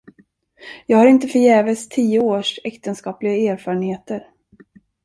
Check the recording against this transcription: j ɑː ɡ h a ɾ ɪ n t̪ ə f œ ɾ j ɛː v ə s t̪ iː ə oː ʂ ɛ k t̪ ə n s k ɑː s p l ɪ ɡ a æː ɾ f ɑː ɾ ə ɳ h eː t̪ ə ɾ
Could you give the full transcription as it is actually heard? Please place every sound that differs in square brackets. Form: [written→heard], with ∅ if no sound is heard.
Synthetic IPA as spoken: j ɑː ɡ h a ɾ ɪ n t̪ ə f œ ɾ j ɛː v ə s [t̪→t̪ʰ] iː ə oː ʂ ɛ k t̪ ə n s k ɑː [s→∅] p l ɪ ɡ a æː ɾ f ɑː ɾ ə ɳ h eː t̪ ə ɾ